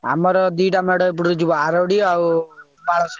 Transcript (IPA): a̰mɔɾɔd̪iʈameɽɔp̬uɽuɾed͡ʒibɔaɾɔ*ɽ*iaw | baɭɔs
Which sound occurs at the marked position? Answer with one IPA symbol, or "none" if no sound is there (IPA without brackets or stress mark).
ɽ